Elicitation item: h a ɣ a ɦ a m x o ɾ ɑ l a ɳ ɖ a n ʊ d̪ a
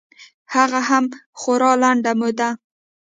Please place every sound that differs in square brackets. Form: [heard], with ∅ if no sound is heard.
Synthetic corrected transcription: h a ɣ a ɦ a m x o ɾ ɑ l a ɳ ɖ a [m] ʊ d̪ a